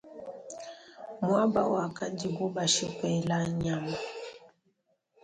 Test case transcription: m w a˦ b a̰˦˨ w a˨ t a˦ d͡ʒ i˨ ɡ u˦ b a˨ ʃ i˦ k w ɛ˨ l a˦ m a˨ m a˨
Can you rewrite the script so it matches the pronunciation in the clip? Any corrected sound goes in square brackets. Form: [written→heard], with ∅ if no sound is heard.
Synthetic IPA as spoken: m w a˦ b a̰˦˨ w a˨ [t→k] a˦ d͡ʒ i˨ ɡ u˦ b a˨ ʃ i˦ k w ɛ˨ l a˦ [m→ɲ] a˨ m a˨